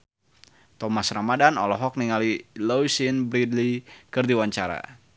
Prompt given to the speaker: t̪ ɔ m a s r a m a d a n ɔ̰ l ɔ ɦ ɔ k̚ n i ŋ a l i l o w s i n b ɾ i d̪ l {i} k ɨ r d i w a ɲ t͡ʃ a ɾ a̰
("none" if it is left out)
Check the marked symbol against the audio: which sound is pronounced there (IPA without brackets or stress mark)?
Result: i